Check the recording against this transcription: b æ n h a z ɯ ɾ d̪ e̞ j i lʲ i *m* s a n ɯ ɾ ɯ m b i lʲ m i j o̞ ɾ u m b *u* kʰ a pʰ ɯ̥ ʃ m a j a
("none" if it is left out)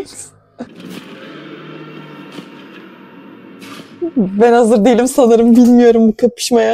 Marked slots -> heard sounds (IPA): m, u

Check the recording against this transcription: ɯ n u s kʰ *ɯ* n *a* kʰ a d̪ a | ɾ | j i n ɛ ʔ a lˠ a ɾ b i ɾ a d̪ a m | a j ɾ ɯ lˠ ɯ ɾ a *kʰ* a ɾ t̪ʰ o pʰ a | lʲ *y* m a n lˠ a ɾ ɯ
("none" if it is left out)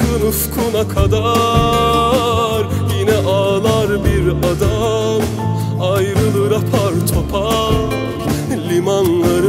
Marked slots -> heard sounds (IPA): u, a, pʰ, i

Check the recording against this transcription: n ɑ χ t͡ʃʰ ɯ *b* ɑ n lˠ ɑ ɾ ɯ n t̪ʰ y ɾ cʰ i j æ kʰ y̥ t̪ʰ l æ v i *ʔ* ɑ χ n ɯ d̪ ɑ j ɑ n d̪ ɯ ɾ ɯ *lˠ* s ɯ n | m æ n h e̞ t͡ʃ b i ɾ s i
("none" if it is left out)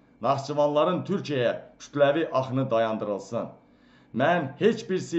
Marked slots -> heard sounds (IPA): v, ʔ, lˠ

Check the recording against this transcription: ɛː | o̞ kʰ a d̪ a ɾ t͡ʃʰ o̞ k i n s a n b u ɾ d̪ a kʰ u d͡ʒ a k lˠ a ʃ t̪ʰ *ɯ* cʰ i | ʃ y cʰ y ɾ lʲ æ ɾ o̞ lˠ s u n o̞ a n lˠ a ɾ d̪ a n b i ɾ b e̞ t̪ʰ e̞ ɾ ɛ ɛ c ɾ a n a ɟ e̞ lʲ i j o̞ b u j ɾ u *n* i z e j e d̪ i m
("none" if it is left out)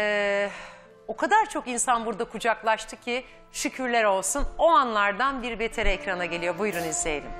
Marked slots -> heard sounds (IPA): ɯ, n

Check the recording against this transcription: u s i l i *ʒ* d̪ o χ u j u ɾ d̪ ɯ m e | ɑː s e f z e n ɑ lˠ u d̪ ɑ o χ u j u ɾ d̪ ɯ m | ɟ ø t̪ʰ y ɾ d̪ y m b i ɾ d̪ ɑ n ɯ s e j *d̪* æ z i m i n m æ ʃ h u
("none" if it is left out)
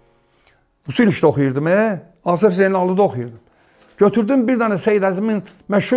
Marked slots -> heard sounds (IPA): ʃ, d̪

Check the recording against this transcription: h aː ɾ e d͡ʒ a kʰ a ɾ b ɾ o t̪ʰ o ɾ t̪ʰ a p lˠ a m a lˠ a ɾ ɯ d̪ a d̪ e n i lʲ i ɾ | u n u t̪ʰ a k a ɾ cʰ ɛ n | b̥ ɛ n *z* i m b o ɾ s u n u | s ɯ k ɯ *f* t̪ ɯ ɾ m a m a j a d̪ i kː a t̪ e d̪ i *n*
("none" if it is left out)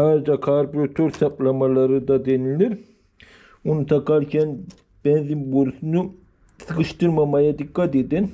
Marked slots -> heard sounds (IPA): z, ʃ, n

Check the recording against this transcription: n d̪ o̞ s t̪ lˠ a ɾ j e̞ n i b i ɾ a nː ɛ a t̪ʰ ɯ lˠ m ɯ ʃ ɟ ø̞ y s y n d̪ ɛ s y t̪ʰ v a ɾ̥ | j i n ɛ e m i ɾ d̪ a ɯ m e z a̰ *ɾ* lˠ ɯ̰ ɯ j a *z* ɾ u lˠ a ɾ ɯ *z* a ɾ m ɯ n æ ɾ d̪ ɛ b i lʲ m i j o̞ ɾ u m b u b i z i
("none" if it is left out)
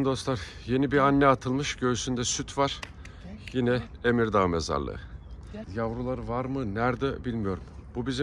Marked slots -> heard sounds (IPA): ɾ, v, v

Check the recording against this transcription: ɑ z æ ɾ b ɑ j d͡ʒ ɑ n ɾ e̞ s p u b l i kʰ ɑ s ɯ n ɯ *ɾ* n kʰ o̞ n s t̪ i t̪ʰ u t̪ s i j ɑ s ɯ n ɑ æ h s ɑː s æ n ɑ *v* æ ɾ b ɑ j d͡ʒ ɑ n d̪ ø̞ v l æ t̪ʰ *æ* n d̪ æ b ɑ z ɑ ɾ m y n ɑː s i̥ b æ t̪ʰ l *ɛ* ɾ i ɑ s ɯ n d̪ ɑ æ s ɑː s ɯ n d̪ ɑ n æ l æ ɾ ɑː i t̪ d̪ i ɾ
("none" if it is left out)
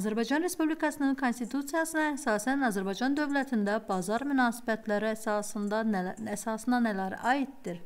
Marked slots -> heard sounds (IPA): none, z, i, æ

